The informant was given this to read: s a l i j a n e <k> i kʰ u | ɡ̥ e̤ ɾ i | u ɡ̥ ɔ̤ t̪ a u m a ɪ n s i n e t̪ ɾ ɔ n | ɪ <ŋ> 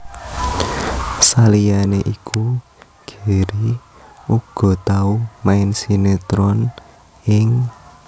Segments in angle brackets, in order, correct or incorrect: incorrect, correct

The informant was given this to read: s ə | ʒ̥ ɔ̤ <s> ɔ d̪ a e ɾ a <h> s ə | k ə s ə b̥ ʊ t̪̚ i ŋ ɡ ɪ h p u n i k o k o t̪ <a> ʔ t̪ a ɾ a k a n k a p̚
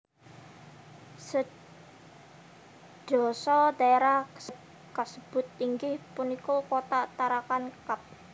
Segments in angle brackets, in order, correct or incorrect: correct, correct, correct

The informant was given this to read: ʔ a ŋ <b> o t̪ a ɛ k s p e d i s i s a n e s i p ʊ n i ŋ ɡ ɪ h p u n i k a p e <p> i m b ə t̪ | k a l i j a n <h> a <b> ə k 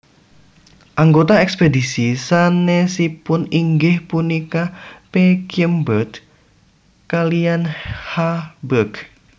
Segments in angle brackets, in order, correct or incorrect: incorrect, incorrect, correct, correct

